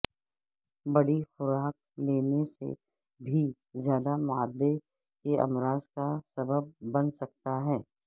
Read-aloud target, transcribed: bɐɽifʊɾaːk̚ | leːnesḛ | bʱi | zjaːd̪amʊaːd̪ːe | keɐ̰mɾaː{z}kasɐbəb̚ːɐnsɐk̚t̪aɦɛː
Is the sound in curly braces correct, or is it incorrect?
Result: correct